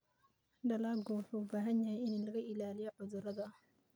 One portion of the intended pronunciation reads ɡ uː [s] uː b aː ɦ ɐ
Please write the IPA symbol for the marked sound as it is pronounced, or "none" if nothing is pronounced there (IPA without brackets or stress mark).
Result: ħ